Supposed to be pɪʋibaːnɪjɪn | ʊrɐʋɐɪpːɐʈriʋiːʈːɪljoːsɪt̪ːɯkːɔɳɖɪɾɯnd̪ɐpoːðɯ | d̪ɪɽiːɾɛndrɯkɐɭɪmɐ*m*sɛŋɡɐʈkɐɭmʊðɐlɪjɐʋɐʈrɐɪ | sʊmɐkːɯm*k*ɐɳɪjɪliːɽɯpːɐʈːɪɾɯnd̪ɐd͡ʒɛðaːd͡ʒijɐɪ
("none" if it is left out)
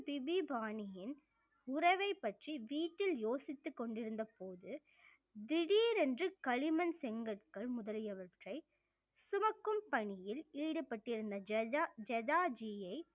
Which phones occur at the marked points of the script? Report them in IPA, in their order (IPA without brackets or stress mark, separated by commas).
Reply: n, p